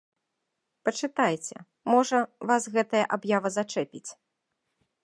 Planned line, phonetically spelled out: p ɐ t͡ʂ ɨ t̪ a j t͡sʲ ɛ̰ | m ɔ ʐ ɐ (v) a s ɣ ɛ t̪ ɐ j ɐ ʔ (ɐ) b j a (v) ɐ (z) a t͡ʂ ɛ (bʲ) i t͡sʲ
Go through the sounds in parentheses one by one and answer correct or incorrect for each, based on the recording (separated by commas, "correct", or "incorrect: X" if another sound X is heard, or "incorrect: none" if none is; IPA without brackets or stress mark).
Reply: correct, incorrect: a, correct, correct, incorrect: pʲ